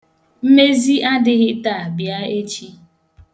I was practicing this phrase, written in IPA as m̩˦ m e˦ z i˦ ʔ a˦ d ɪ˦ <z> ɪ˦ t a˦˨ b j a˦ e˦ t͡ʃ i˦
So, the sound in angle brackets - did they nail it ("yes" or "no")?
no